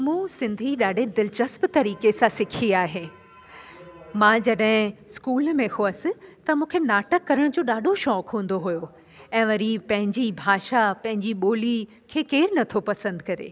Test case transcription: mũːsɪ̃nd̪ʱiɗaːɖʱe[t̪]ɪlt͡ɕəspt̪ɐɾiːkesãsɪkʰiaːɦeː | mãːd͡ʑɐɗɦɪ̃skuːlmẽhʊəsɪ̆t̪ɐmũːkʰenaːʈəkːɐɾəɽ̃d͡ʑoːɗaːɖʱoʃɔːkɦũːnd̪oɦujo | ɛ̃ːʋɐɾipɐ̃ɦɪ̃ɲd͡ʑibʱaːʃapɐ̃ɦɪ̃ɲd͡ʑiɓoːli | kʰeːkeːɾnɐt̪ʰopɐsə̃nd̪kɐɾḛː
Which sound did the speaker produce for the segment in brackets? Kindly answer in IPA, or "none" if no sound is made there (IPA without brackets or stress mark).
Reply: d̪